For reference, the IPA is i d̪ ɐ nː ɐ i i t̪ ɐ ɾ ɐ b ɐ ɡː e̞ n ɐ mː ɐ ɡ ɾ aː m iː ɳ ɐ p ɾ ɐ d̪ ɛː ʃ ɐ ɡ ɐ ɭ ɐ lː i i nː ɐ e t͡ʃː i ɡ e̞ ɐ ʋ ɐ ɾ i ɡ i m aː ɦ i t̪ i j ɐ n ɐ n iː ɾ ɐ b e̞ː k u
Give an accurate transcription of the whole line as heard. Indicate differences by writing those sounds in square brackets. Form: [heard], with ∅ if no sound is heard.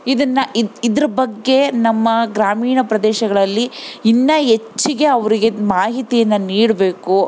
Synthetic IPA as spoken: i d̪ ɐ nː ɐ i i [d̪] ɐ ɾ ɐ b ɐ ɡː e̞ n ɐ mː ɐ ɡ ɾ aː m iː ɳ ɐ p ɾ ɐ d̪ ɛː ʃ ɐ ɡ ɐ ɭ ɐ lː i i nː ɐ e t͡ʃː i ɡ e̞ ɐ ʋ ɐ ɾ i ɡ [e] m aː ɦ i t̪ i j ɐ [nː] ɐ n iː [ɽ] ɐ b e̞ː k u